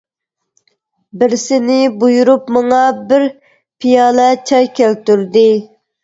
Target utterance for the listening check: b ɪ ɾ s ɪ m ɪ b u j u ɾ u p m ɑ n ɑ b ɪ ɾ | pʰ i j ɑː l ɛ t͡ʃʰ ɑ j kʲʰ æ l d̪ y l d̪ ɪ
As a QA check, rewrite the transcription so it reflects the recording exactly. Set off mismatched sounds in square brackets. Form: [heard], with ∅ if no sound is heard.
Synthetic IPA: b ɪ ɾ s ɪ [n] ɪ b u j u ɾ u p m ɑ [ŋ] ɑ b ɪ ɾ | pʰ i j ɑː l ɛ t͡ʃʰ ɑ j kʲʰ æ l [t̪] y [ɾ] d̪ ɪ